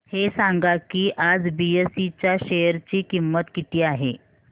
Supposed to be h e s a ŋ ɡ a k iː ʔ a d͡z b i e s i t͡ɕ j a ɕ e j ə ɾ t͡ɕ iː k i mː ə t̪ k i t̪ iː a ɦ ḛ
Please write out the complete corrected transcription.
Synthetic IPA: h e s a ŋ ɡ a k iː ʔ a d͡z b i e s i t͡ɕ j a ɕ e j ə ɾ t͡ɕ iː k i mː ə t̪ k i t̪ iː a ɦ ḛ

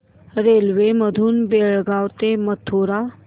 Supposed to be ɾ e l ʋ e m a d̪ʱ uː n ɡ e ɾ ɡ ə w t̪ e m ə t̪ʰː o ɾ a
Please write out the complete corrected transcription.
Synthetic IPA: ɾ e l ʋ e m ə d̪ʱ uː n b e ɭ ɡ a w t̪ e m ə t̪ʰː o ɾ a

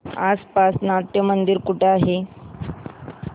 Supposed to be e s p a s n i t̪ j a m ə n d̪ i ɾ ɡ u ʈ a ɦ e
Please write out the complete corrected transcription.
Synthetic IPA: a s p a s n a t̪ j ə m ə n d̪ i ɾ k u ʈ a ɦ e

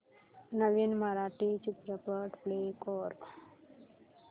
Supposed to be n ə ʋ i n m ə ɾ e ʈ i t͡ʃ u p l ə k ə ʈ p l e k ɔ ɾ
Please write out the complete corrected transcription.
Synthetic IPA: n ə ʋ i n m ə ɾ a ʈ i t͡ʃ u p ɾ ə p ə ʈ p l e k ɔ ɾ

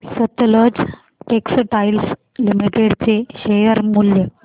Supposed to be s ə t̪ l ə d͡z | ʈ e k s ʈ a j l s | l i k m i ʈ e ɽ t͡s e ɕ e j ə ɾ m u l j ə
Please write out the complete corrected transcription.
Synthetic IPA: s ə t̪ l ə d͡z | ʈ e k s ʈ a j l s | l i m i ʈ e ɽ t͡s e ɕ e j ə ɾ m u l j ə

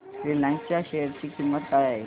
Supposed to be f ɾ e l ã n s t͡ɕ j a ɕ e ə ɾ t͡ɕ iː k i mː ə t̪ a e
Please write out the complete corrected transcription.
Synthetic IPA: f ɾ i l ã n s t͡ɕ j a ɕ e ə ɾ t͡ɕ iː k i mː ə t̪ a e

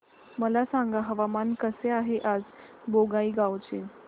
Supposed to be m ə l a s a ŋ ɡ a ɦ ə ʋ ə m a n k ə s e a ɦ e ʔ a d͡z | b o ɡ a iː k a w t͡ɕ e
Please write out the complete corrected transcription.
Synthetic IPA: m ə l a s a ŋ ɡ a ɦ ə ʋ a m a n k ə s e a ɦ e ʔ a d͡z | b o ɡ a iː ɡ a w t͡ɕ e

